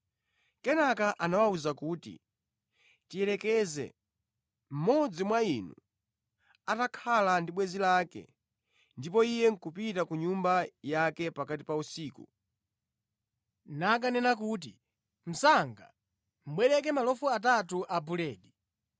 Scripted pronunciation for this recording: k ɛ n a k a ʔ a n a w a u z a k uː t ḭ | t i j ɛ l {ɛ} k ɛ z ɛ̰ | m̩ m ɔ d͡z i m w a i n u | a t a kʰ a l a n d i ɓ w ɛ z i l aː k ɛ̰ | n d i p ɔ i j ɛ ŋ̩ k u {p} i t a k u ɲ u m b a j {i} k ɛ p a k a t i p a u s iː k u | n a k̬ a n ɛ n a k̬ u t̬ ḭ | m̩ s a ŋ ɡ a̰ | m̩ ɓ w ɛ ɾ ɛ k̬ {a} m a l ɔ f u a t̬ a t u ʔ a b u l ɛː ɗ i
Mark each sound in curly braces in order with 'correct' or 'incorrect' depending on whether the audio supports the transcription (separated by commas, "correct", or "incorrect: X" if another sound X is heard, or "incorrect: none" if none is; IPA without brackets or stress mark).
correct, correct, incorrect: a, incorrect: ɛ